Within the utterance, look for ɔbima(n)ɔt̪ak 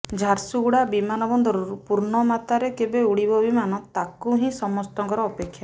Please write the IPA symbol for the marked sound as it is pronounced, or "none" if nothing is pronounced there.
n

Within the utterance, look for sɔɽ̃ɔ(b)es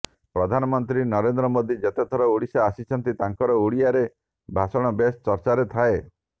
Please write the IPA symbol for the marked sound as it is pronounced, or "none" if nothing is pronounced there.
b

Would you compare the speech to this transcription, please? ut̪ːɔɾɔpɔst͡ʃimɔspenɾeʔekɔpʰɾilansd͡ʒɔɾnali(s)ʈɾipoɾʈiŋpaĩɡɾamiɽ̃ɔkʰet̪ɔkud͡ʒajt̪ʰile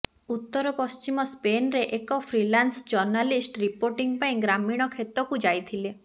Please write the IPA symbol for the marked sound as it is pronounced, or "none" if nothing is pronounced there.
s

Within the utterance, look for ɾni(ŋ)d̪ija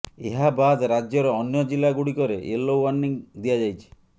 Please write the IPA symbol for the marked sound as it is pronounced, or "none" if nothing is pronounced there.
ŋ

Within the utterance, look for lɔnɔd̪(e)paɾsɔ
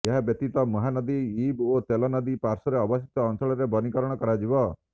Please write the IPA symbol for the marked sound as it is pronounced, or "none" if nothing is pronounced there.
i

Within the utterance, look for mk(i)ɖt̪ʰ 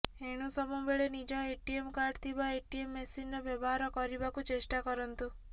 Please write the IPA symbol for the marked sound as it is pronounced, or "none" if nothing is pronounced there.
a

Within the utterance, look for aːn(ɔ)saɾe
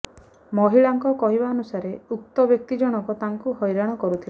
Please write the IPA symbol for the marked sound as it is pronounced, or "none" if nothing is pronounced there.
u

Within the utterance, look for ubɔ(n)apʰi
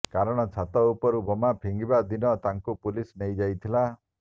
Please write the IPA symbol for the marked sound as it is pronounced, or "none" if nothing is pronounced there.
m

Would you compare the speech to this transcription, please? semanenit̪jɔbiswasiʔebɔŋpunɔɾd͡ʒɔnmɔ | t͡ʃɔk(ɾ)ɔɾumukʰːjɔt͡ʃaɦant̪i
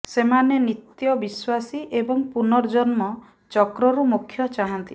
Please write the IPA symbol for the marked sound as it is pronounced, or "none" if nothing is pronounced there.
ɾ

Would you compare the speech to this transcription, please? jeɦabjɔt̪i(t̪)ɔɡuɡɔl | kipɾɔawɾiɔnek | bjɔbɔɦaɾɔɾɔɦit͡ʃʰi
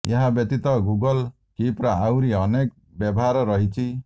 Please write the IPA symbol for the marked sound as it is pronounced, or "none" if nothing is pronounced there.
t̪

